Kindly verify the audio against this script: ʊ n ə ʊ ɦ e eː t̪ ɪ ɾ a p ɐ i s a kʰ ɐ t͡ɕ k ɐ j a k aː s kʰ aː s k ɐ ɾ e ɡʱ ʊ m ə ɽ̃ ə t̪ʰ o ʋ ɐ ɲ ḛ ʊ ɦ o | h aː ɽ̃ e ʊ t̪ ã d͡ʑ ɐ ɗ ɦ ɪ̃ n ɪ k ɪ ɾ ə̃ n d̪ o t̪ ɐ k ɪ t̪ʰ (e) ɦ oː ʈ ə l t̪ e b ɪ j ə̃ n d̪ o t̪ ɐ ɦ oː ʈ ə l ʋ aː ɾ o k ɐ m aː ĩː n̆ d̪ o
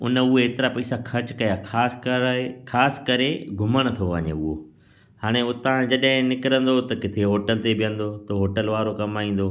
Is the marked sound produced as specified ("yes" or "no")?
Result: yes